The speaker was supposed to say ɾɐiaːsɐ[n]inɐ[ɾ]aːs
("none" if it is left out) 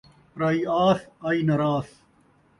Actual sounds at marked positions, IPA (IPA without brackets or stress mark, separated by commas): none, ɾ